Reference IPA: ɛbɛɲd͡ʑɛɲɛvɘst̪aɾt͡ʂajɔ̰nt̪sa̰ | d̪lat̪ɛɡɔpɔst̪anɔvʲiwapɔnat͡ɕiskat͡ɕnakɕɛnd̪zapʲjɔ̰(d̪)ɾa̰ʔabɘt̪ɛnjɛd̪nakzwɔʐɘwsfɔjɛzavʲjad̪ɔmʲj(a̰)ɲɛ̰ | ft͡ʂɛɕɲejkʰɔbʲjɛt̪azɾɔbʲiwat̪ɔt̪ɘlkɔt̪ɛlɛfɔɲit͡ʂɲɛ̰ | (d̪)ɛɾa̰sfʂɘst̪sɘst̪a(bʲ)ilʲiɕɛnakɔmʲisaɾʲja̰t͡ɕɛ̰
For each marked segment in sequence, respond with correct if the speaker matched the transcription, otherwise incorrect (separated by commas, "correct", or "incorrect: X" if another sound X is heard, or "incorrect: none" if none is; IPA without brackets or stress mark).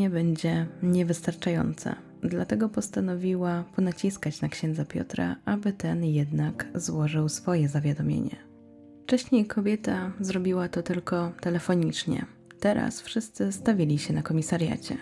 incorrect: t̪, incorrect: ḛ, incorrect: t̪, incorrect: vʲ